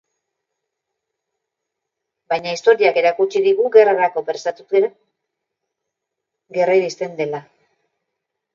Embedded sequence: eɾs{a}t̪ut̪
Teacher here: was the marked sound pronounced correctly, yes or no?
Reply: yes